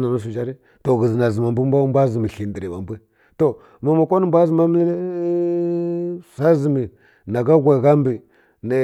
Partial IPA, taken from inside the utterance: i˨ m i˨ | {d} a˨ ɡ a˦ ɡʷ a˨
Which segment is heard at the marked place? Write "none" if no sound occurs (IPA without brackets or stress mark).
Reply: n